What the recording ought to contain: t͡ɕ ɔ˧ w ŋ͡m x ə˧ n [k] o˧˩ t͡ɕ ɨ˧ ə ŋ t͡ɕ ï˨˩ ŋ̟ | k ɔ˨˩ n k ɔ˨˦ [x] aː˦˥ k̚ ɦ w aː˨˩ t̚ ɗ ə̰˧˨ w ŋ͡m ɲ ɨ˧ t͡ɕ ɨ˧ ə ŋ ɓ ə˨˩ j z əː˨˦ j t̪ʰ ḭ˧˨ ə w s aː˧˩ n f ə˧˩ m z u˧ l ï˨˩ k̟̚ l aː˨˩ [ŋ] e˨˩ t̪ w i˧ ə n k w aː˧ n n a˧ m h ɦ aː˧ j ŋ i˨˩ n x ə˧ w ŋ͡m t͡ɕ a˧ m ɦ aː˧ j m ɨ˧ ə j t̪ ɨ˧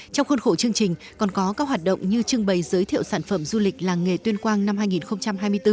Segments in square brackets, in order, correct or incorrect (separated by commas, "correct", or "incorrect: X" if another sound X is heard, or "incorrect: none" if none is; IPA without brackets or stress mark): incorrect: x, incorrect: k, correct